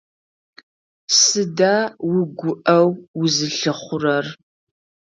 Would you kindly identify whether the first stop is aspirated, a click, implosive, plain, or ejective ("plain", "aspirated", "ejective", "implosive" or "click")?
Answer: plain